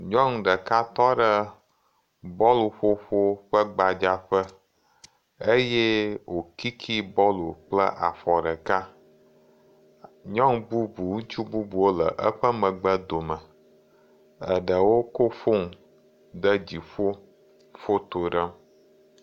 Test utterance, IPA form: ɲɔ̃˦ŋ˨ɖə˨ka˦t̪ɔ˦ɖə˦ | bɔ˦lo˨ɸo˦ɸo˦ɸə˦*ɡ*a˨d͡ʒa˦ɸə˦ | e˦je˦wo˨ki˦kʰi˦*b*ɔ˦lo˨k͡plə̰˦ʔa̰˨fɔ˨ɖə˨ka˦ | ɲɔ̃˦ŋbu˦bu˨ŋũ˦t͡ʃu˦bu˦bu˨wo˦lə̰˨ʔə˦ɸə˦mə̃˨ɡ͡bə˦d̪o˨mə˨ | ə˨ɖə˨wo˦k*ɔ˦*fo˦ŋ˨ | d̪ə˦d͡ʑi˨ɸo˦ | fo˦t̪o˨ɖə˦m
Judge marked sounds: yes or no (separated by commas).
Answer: no, yes, no